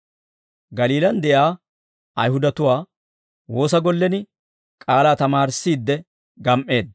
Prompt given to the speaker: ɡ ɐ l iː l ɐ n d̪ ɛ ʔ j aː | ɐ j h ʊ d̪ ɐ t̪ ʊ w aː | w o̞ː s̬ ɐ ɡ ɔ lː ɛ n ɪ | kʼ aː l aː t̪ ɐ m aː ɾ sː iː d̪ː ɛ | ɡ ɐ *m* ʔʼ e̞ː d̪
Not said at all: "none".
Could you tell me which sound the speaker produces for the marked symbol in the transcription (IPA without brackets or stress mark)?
m